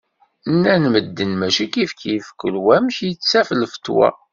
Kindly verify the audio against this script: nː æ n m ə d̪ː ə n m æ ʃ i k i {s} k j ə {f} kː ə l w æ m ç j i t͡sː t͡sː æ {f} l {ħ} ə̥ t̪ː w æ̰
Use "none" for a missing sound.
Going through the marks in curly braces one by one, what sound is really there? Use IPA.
f, f, f, f

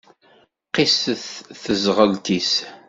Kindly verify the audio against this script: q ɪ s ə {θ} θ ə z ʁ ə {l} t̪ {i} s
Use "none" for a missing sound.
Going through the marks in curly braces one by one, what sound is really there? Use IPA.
θ, l, i

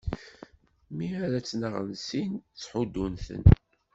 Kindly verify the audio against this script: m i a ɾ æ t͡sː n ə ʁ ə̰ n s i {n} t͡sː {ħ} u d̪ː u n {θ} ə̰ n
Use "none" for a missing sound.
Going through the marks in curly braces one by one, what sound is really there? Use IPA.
n, ħ, θ

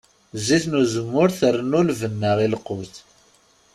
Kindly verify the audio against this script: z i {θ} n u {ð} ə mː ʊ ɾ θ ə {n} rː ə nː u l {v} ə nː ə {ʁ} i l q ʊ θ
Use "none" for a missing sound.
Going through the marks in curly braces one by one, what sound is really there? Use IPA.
θ, z, none, v, ʁ

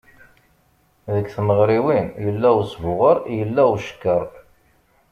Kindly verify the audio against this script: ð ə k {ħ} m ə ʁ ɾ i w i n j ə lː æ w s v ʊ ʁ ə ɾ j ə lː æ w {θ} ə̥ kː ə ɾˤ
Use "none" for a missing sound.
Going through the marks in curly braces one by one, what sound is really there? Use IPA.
θ, ʃ

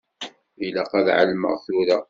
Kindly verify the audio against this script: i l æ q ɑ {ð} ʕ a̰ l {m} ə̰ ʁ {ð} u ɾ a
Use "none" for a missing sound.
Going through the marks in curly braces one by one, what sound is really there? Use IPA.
ð, m, θ

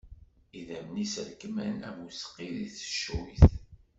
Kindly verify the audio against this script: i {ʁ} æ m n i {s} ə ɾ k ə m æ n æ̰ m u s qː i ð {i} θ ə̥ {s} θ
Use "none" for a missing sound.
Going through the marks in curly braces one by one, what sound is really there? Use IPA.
ð, s, i, ʃ

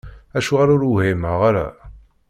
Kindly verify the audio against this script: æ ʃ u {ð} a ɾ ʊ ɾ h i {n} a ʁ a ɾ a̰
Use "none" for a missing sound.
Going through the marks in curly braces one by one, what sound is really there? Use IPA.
ʁ, m

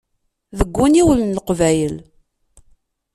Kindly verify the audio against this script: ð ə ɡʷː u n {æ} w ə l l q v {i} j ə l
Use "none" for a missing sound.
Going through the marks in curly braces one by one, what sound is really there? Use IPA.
i, æ

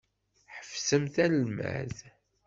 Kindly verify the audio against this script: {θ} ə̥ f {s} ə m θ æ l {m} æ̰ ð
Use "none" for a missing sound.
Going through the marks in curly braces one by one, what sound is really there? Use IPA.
ħ, s, m

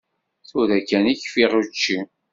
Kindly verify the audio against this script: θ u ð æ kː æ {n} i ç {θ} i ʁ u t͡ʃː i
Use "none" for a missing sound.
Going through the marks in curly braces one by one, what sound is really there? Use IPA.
n, f

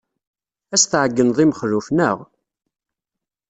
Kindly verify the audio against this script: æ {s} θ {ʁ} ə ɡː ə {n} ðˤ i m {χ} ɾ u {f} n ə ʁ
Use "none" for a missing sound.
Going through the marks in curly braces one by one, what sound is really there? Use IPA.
s, ʕ, n, χ, f

